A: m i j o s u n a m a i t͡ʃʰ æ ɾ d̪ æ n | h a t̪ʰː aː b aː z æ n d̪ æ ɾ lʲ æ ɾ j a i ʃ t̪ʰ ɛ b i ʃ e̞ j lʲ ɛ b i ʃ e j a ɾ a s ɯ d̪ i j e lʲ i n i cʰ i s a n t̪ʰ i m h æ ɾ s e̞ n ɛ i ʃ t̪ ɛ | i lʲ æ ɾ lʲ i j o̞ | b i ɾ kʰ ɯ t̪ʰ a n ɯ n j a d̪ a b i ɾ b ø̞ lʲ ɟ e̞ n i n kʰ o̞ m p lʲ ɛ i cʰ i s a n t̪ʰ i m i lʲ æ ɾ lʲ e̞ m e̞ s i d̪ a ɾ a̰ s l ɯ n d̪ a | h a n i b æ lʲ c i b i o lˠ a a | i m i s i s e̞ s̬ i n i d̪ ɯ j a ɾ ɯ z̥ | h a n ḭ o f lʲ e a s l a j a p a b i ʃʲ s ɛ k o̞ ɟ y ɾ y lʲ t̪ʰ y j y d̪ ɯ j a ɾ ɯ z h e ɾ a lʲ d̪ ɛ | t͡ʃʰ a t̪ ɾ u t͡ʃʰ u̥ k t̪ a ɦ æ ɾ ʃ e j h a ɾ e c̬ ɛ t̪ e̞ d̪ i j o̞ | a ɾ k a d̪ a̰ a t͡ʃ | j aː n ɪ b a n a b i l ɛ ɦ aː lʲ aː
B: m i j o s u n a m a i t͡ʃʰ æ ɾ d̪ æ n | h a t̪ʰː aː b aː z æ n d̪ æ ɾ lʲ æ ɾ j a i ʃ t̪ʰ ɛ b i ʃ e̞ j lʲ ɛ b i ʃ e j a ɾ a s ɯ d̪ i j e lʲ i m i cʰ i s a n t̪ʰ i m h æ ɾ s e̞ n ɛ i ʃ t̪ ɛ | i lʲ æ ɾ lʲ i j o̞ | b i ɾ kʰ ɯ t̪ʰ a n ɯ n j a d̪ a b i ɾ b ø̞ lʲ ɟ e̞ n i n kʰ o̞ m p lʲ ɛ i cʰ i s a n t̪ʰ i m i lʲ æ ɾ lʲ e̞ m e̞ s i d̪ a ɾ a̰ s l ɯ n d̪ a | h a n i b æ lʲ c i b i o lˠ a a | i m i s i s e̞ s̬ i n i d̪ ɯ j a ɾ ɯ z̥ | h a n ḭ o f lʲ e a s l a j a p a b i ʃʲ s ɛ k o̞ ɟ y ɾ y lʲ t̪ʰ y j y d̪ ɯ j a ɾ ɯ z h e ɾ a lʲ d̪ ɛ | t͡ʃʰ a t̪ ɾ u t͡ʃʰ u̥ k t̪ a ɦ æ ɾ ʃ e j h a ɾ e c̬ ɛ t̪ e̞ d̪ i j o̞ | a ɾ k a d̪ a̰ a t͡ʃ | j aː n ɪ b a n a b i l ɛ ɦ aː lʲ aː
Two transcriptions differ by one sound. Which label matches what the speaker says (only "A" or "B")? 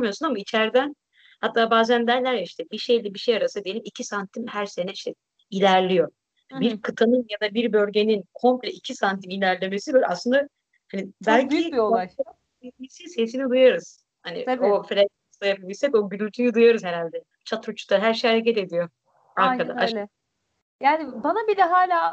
B